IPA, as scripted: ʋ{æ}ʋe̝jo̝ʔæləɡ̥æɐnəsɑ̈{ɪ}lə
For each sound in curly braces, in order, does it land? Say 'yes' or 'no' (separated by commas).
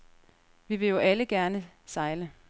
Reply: no, yes